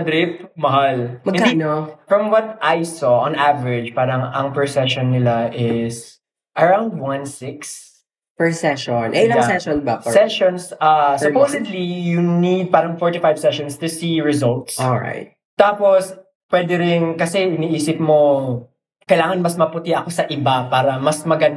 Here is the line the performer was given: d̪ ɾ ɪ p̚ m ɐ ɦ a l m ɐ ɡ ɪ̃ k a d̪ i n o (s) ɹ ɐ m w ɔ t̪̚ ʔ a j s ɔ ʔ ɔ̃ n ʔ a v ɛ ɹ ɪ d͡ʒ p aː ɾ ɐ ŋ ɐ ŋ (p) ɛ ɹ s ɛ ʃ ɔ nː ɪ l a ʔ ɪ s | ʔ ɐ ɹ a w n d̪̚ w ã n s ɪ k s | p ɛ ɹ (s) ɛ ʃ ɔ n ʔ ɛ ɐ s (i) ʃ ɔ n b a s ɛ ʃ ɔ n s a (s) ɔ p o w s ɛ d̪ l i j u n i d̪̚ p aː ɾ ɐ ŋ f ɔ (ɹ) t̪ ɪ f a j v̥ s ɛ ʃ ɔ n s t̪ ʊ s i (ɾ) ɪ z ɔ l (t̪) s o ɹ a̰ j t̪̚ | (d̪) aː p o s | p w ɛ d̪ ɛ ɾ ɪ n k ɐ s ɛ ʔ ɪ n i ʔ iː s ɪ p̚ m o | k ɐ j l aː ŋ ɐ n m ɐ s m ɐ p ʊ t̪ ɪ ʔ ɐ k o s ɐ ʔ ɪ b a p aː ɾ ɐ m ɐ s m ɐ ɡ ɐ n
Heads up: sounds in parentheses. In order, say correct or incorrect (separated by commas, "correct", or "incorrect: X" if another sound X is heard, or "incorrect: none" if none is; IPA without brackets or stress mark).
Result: incorrect: f, correct, correct, incorrect: ɛ, correct, correct, incorrect: ɹ, correct, incorrect: t̪